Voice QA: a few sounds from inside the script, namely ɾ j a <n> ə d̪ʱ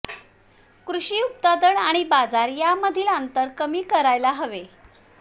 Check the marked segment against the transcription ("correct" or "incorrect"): incorrect